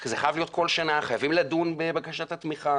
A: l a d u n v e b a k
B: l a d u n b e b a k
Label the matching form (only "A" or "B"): B